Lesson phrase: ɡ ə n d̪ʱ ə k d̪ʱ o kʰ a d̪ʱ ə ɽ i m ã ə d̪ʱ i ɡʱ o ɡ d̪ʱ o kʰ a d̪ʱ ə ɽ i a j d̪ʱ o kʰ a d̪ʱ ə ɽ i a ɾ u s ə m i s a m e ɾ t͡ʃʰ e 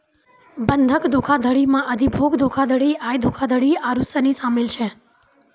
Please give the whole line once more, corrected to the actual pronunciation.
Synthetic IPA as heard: b ə n d̪ʱ ə k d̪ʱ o kʰ a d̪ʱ ə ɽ i m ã ə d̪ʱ i bʱ o ɡ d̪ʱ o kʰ a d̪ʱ ə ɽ i a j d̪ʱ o kʰ a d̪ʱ ə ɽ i a ɾ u s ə n i s a m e l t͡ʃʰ e

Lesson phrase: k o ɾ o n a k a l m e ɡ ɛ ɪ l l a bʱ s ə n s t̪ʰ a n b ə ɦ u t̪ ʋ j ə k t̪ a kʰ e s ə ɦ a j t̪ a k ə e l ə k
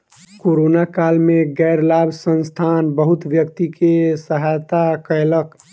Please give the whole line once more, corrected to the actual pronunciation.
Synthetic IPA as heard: k o ɾ o n a k a l m e ɡ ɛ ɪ ɾ l a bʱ s ə n s t̪ʰ a n b ə ɦ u t̪ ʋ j ə k t̪ i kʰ e s ə ɦ a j t̪ a k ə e l ə k

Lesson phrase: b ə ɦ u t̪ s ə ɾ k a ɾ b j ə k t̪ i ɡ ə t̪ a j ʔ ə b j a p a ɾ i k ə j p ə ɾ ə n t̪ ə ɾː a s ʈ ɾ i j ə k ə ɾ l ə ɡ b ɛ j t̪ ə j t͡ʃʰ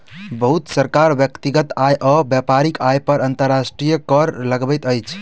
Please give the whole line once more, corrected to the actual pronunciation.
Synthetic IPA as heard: b ə ɦ u t̪ s ə ɾ k a ɾ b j ə k t̪ i ɡ ə t̪ a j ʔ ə b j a p a ɾ i k a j p ə ɾ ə n t̪ ə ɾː a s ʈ ɾ i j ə k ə ɾ l ə ɡ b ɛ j t̪ ə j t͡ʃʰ

